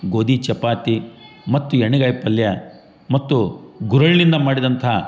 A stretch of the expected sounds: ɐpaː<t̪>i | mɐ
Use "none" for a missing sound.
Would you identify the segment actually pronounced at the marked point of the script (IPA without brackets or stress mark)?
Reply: t̪